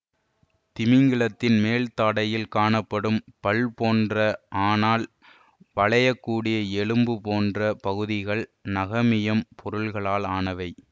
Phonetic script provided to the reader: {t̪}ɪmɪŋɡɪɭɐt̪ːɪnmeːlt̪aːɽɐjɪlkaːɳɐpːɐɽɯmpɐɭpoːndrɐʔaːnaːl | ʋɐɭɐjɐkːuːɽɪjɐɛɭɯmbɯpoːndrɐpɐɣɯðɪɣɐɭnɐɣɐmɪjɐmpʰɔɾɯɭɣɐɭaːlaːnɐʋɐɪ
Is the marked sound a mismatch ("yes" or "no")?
no